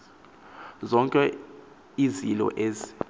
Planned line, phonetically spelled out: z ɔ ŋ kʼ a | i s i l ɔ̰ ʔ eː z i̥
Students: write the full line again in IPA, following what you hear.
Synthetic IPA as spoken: z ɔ ŋ kʼ ɛ | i z i l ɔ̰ ʔ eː z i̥

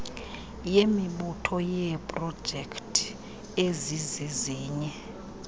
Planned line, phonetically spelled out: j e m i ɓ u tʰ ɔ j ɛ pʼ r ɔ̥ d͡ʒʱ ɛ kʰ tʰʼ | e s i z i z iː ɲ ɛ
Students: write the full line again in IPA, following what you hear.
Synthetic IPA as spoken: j e m i ɓ u tʰ ɔ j ɛ pʼ r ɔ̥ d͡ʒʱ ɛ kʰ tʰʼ | e z i z i z iː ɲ ɛ

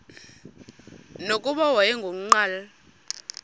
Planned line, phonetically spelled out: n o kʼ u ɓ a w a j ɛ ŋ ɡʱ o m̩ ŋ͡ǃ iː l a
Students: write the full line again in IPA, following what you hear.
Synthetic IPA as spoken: n o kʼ u ɓ a w a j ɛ ŋ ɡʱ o m̩ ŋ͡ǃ aː l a

